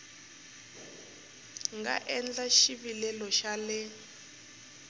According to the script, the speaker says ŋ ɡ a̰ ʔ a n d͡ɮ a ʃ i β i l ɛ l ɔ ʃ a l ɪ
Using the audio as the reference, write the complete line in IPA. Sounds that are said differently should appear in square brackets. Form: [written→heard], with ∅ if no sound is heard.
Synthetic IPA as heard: ŋ ɡ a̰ ʔ [a→ɛ] n d͡ɮ a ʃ i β i l ɛ l ɔ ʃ a l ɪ